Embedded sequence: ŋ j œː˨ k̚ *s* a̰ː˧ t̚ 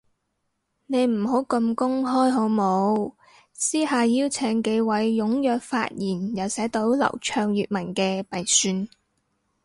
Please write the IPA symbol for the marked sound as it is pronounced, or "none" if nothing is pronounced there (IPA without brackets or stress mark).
f